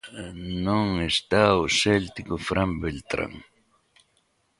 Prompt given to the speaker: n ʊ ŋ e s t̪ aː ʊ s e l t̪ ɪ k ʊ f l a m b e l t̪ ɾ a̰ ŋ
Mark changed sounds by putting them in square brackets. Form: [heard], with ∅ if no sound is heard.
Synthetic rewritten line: n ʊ ŋ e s t̪ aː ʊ s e l t̪ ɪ k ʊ f [ɾ] a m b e l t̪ ɾ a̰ ŋ